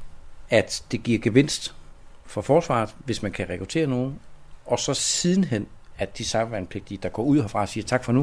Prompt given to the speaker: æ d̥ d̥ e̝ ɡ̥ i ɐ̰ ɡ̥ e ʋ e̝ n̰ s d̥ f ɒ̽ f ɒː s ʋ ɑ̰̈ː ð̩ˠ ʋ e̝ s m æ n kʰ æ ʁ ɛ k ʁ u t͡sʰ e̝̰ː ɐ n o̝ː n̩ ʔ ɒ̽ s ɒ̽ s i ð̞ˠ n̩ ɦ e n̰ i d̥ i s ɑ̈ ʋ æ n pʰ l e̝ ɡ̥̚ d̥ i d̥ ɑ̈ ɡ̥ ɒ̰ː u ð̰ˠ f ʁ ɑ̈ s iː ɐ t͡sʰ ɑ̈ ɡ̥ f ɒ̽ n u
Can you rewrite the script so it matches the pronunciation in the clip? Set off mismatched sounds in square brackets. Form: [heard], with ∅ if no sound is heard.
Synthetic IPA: æ d̥ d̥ e̝ ɡ̥ i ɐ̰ ɡ̥ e ʋ e̝ n̰ s d̥ f ɒ̽ f ɒː s ʋ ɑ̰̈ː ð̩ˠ ʋ e̝ s m æ n kʰ æ ʁ ɛ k ʁ u t͡sʰ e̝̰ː ɐ n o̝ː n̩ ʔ ɒ̽ s ɒ̽ s i ð̞ˠ n̩ ɦ e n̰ [æ] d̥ i s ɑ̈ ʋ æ n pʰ l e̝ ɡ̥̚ d̥ i d̥ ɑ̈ ɡ̥ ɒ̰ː u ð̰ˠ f ʁ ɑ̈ s iː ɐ t͡sʰ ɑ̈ ɡ̥ f ɒ̽ n u